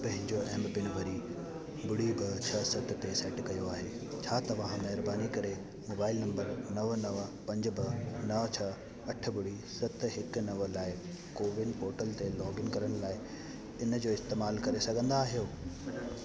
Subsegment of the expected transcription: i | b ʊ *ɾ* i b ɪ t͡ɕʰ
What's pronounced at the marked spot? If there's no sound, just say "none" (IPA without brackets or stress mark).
ɽ